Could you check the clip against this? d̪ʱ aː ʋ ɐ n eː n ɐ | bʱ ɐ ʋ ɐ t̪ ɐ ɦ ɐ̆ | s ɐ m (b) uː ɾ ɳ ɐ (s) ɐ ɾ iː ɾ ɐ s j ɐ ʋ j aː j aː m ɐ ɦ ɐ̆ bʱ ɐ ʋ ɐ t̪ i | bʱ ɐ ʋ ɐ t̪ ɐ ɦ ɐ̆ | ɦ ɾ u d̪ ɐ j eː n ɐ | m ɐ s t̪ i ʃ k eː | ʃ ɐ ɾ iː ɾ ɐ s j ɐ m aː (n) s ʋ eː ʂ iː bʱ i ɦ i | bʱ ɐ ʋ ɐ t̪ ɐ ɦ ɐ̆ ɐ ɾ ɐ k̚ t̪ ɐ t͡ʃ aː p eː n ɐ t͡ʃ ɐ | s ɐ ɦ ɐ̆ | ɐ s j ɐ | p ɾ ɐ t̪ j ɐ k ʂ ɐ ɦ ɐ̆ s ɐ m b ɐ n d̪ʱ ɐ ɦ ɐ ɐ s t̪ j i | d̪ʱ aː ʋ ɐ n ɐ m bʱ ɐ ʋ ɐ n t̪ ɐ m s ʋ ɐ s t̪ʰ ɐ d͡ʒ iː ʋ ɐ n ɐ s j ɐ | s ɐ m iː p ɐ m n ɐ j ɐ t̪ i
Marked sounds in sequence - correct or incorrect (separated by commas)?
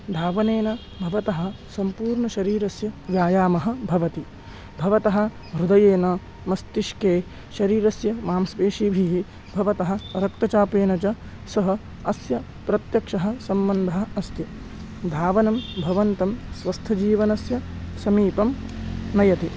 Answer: incorrect, incorrect, incorrect